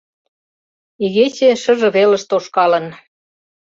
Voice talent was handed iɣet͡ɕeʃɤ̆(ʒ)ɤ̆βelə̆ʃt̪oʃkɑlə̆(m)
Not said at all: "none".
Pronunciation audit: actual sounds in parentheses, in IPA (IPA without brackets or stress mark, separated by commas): ʒ, n